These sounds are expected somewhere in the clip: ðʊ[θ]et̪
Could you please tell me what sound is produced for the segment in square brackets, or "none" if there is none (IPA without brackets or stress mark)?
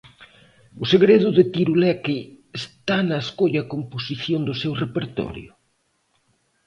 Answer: ð